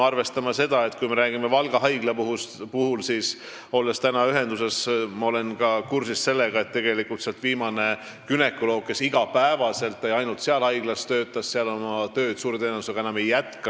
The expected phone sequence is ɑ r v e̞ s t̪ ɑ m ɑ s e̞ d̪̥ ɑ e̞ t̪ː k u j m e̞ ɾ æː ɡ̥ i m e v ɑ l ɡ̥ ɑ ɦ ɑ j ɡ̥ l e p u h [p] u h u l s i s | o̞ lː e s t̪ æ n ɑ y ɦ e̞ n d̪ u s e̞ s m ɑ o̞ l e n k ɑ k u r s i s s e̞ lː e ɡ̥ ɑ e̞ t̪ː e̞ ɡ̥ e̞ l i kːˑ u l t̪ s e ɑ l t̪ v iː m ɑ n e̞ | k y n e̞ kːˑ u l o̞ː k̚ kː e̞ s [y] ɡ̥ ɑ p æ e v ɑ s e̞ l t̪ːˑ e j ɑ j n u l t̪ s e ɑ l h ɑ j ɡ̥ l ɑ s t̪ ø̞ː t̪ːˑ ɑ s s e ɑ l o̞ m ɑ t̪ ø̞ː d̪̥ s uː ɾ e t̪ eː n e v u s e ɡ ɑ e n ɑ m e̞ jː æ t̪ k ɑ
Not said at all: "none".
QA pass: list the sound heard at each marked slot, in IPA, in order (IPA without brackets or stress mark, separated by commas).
p, i